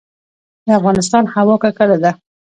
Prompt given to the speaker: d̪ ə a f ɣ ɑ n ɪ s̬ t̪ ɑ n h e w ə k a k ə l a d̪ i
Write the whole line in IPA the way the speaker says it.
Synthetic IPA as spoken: d̪ ə a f ɣ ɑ n ɪ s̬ t̪ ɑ n h a w ɑ k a k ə l a d̪ a